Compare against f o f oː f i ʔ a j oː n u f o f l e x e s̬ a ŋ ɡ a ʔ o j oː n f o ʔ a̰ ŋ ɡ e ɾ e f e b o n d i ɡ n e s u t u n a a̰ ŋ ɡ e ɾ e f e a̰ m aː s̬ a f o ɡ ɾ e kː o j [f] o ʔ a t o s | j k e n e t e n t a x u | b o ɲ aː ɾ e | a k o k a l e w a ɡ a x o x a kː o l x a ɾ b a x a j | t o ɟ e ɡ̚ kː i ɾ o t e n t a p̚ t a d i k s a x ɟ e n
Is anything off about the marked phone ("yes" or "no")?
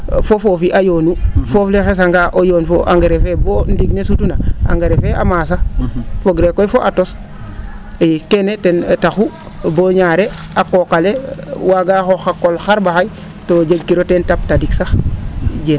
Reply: no